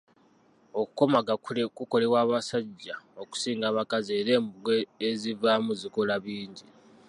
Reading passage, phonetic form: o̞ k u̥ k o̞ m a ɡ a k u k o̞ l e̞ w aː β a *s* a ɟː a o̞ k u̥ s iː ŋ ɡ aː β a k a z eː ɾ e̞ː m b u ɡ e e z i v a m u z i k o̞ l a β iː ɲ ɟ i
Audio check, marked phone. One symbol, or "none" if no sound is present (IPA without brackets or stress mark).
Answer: s